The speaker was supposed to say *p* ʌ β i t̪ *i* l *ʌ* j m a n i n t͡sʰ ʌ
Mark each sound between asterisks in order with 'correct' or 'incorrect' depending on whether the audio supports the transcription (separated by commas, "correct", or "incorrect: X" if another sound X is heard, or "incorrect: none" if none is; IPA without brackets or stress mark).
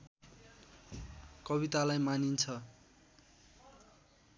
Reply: incorrect: k, incorrect: a, incorrect: a